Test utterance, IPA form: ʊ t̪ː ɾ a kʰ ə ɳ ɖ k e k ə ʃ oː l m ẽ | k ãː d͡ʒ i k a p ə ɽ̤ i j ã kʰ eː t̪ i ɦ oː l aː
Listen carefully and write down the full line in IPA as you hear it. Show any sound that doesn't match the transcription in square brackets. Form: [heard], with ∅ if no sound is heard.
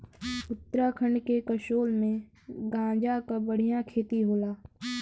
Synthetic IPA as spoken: ʊ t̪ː ɾ a kʰ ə ɳ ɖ k e k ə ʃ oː l m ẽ | [ɡ] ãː d͡ʒ [a] k a [b] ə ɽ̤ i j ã kʰ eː t̪ i ɦ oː l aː